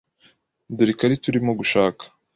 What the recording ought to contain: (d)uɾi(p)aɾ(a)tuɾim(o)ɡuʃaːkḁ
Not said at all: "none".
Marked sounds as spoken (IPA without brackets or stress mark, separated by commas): d, k, i, o